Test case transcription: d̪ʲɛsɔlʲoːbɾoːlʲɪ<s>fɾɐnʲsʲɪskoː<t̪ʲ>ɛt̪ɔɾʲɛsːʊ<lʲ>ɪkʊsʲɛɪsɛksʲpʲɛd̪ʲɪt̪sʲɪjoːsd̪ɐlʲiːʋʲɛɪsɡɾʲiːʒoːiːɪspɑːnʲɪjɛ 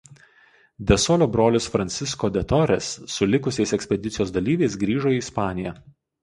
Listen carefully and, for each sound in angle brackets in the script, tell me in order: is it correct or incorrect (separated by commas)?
correct, incorrect, correct